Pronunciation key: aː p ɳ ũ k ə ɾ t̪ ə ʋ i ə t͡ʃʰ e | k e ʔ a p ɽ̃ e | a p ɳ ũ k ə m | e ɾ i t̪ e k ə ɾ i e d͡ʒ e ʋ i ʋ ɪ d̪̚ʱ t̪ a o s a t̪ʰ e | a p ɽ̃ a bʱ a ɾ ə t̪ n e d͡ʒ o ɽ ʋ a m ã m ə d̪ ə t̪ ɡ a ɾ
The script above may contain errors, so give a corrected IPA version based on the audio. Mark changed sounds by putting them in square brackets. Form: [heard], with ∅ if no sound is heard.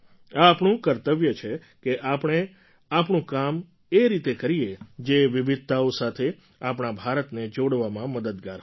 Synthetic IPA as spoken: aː p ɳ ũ k ə ɾ t̪ ə ʋ [j] ə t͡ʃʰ e | k e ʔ a p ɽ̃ e | a p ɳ ũ k [a] m | e ɾ i t̪ e k ə ɾ i e d͡ʒ e ʋ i ʋ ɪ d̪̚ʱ t̪ a o s a t̪ʰ e | a p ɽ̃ a bʱ a ɾ ə t̪ n e d͡ʒ o ɽ ʋ a m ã m ə d̪ ə [d̪] ɡ a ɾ